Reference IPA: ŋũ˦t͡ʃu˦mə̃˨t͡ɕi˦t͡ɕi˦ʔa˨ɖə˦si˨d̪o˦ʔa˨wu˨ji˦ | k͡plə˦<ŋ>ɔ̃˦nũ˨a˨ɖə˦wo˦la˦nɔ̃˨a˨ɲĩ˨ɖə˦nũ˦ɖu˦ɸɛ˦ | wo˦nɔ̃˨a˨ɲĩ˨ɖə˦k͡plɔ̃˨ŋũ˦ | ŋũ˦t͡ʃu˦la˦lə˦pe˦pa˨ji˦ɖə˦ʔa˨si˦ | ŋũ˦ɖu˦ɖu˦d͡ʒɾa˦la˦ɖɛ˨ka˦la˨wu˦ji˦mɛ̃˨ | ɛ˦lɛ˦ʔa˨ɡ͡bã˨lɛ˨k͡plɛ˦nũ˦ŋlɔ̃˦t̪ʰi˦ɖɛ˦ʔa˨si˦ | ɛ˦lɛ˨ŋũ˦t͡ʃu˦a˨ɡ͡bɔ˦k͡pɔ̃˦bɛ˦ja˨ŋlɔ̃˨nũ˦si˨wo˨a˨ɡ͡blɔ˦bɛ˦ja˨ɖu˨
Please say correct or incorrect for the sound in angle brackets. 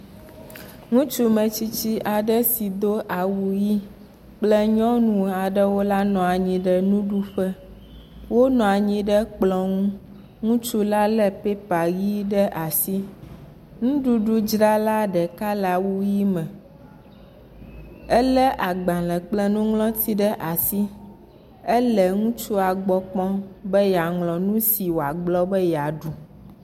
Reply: incorrect: ɲ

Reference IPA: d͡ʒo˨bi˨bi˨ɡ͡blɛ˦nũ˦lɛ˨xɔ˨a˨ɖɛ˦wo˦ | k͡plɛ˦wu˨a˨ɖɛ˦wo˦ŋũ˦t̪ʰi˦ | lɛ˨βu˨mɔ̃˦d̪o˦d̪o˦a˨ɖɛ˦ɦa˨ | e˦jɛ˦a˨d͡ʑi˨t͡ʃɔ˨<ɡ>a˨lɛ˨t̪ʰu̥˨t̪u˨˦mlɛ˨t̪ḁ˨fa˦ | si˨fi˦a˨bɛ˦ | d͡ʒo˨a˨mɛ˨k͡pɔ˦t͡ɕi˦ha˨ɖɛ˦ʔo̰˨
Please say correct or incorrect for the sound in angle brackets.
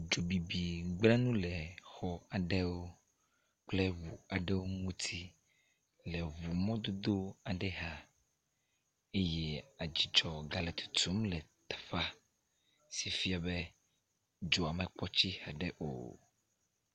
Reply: correct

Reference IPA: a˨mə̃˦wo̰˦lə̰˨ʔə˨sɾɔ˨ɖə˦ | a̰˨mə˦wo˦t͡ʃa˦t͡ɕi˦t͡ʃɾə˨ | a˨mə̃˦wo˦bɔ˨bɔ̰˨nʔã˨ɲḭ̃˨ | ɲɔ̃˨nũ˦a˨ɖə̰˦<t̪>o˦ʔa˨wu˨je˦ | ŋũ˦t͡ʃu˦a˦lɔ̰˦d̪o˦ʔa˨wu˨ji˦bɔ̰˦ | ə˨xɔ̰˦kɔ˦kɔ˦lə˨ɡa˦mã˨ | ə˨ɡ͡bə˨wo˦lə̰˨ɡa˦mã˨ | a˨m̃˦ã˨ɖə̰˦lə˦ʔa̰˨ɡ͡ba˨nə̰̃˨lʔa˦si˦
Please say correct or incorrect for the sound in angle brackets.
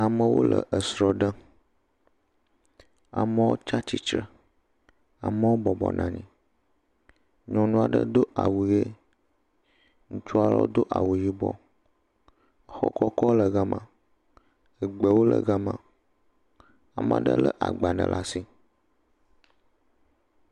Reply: incorrect: d̪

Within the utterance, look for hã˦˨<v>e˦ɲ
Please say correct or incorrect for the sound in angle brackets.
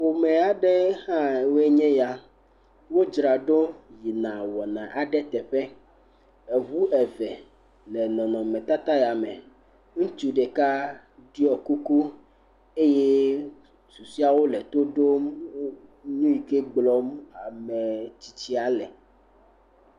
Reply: incorrect: w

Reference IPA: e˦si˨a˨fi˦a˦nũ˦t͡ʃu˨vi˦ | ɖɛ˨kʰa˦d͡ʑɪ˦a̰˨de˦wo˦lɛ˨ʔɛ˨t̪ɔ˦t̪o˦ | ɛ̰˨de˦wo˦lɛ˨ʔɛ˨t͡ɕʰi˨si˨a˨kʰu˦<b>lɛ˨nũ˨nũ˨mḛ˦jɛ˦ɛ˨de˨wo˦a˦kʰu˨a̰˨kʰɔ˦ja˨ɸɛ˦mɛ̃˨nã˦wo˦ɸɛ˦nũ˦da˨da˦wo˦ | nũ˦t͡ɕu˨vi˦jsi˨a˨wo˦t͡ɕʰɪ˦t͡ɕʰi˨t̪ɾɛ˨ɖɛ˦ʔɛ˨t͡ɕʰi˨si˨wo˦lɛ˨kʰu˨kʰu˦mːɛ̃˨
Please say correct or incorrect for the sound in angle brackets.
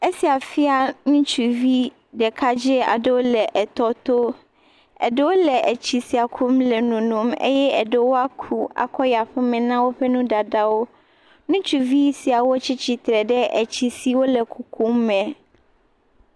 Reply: incorrect: m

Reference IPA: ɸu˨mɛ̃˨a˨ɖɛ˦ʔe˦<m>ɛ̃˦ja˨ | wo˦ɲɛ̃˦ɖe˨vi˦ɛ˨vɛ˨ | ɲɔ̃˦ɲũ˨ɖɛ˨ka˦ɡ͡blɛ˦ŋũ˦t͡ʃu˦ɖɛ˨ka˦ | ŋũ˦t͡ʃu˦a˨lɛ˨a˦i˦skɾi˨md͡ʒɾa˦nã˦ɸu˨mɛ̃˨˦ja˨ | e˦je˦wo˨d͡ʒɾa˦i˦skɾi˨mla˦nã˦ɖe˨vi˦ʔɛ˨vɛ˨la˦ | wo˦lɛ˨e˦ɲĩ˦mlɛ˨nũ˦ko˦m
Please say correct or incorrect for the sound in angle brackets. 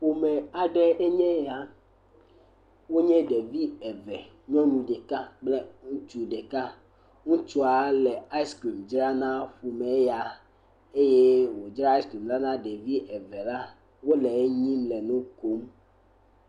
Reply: incorrect: ɲ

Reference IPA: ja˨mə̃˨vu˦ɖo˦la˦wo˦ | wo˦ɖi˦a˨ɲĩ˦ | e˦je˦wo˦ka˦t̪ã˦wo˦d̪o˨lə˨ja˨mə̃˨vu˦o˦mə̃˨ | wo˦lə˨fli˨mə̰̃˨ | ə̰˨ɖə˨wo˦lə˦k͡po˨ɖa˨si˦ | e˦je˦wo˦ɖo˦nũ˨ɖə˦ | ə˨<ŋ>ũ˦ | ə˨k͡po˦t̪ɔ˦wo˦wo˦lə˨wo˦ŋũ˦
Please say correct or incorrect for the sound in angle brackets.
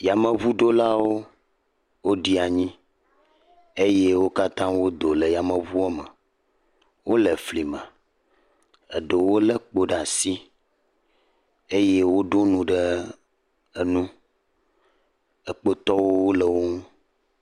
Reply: incorrect: n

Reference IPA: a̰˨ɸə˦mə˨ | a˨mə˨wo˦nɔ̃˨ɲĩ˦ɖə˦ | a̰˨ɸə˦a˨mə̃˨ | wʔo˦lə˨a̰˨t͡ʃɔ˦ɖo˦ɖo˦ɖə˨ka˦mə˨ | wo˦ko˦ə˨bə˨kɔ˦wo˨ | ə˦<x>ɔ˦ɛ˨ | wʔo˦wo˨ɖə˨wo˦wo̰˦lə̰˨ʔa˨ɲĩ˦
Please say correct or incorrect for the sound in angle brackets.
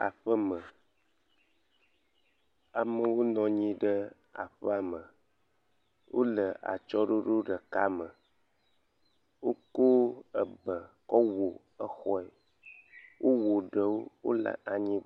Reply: correct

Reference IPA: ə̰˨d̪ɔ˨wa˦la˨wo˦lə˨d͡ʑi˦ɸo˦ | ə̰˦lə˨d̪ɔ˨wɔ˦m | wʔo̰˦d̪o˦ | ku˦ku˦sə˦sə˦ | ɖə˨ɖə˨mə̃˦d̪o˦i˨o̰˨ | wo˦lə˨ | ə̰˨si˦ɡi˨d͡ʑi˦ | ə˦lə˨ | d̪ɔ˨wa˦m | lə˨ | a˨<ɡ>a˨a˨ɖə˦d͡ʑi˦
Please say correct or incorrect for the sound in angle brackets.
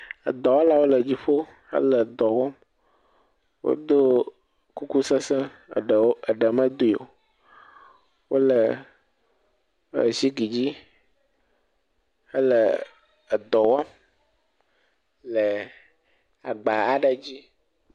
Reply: incorrect: ɡ͡b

